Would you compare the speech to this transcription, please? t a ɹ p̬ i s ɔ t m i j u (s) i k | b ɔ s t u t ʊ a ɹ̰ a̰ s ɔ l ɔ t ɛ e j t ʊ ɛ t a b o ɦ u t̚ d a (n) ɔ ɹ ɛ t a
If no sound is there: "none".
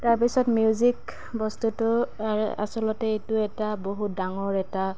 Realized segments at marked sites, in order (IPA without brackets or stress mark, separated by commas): z, ŋ